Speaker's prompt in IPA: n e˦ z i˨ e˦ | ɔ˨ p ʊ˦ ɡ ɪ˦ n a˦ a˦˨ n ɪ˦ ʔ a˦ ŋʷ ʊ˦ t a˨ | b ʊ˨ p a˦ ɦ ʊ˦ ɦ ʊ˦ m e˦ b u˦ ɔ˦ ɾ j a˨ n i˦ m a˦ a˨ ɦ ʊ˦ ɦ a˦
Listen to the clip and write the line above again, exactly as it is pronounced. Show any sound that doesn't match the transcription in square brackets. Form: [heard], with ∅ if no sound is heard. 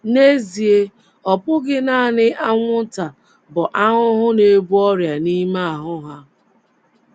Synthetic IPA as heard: n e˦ z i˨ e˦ | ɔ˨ p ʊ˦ ɡ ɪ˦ n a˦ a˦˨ n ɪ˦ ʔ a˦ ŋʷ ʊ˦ t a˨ | b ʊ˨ [ʔ] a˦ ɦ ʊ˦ ɦ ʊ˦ [n] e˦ b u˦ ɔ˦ ɾ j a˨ n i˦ m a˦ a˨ ɦ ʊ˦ ɦ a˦